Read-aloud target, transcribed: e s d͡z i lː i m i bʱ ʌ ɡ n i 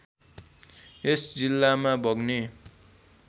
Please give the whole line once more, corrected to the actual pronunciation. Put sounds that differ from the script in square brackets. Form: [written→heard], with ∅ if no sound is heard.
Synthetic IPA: e s d͡z i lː [i→a] m [i→a] bʱ ʌ ɡ n [i→e]